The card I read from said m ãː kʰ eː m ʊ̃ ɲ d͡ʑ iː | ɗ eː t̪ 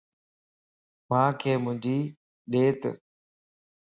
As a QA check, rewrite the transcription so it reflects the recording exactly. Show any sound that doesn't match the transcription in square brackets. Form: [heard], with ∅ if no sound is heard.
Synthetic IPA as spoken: m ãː kʰ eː m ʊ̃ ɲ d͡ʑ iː | ɗ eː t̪